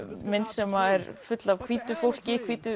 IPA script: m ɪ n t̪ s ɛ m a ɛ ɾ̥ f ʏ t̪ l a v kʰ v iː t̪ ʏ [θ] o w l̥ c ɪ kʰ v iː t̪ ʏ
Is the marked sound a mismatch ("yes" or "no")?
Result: yes